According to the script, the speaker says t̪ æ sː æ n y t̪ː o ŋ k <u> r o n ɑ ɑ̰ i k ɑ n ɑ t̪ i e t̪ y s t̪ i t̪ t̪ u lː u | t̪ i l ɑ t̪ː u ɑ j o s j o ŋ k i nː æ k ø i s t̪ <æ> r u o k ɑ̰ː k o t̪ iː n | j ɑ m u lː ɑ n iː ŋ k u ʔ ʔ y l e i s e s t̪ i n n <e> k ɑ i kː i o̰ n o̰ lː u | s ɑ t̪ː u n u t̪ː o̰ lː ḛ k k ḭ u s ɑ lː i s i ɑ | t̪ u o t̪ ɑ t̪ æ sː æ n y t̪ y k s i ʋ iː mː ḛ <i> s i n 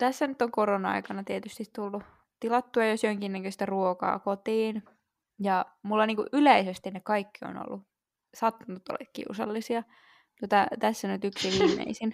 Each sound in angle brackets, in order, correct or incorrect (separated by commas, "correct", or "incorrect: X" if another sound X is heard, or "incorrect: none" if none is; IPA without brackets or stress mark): incorrect: o, correct, correct, correct